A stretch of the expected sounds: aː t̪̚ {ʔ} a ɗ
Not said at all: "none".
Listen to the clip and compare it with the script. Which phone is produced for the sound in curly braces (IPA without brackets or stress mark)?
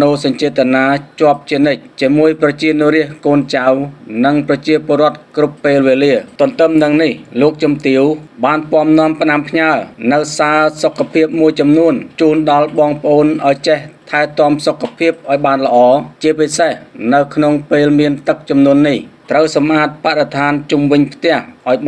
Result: p